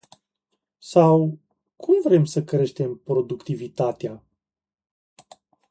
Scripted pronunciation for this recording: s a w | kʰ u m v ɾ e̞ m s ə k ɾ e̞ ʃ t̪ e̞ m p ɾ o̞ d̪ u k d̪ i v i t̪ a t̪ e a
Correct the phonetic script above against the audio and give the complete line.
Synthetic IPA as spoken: s a w | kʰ u m v ɾ e̞ m s ə k ɾ e̞ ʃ t̪ e̞ m p ɾ o̞ d̪ u k t̪ i v i t̪ a t̪ e a